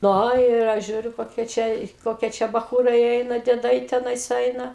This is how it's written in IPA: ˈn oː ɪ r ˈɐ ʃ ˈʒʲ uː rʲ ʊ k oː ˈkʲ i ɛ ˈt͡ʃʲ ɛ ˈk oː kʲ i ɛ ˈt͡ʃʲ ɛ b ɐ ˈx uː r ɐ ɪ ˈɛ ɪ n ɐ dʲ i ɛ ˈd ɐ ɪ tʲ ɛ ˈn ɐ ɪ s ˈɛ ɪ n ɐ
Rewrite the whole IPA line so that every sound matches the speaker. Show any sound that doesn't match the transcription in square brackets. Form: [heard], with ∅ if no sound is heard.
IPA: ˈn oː ɪ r ˈɐ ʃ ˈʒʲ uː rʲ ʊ k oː ˈkʲ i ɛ ˈt͡ʃʲ ɛ ˈk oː kʲ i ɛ ˈt͡ʃʲ ɛ b ɐ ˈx uː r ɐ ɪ ˈɛ ɪ n ɐ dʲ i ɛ ˈd ɐ ɪ tʲ ɛ ˈn ɐ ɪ s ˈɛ ɪ n ɐ